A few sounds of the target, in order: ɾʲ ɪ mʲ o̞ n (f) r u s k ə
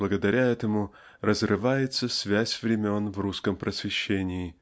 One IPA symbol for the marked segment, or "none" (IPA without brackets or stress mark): v